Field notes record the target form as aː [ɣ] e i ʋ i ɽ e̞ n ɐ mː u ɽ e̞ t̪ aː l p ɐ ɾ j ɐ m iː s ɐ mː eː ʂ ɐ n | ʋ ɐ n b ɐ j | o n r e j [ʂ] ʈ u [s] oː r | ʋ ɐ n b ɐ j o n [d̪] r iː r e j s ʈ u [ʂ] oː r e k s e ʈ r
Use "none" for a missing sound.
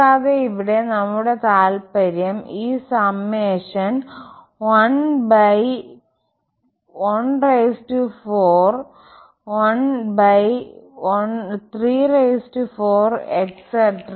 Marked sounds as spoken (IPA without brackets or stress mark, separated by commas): ð, s, f, t̪, f